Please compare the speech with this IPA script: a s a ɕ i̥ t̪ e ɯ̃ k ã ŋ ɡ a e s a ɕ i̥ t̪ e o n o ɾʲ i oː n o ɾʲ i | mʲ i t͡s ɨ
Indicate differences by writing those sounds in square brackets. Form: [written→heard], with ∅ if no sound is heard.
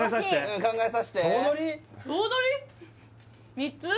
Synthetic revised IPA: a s a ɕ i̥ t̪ e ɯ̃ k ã ŋ ɡ a e s a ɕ i̥ t̪ e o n o ɾʲ i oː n o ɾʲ i | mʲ i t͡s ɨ